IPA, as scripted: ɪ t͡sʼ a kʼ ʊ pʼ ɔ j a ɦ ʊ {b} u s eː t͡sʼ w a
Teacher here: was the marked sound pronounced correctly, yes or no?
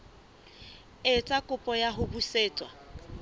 yes